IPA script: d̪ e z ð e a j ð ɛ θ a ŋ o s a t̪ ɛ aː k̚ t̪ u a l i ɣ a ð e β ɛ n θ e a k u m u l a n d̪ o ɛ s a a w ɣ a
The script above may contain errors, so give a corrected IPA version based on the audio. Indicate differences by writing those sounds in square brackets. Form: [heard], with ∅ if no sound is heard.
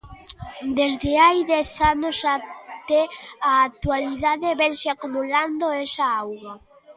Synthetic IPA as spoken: d̪ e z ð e a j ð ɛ θ a [n] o s a t̪ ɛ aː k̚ t̪ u a l i [ð] a ð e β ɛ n [s] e a k u m u l a n d̪ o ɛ s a a w ɣ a